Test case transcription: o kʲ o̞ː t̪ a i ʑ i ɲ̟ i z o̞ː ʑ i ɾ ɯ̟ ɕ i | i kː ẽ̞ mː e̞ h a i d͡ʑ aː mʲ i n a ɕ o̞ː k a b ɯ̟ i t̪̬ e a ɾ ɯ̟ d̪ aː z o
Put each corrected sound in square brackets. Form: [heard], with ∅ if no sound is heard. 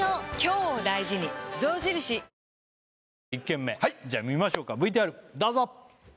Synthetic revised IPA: o kʲ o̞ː [d̪] a i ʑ i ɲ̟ i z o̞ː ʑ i ɾ ɯ̟ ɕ i | i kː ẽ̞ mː e̞ h a i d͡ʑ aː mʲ i [m] a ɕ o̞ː k a b ɯ̟ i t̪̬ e a ɾ ɯ̟ d̪ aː z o